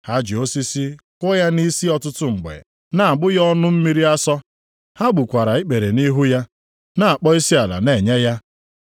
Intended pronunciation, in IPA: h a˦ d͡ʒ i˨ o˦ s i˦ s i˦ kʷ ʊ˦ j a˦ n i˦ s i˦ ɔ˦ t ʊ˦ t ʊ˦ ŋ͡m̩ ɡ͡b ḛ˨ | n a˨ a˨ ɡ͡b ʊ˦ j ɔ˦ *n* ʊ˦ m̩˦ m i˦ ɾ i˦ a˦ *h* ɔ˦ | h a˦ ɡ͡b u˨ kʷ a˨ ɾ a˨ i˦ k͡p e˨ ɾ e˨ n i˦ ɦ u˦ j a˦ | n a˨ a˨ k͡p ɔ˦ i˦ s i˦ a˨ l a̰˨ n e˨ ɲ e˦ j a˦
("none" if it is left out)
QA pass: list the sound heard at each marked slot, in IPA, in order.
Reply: n, s

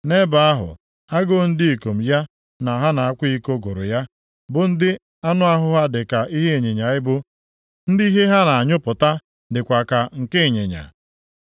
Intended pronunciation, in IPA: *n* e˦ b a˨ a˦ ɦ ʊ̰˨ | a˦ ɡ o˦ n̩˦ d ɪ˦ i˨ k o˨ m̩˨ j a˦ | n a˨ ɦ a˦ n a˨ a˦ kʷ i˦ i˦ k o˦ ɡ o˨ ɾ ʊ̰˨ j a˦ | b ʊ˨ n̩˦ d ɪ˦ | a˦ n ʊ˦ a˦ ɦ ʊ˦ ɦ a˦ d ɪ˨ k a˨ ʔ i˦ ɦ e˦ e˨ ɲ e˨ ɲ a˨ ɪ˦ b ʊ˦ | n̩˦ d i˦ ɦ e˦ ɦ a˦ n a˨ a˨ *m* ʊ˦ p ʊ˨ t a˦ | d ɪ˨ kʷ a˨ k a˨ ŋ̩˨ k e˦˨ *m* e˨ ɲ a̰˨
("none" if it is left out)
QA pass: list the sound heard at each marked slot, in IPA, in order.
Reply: n, ɲ, ɲ

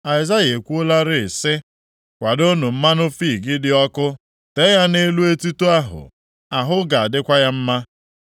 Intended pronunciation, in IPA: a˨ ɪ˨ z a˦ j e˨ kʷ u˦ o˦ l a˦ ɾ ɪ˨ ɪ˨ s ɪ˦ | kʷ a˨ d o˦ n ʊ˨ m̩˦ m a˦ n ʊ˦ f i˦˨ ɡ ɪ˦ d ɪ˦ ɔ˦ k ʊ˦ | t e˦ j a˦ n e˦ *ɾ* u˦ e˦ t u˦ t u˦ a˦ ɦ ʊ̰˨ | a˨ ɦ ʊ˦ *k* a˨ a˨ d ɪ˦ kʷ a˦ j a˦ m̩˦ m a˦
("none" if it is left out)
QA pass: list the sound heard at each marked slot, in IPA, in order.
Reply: l, ɡ

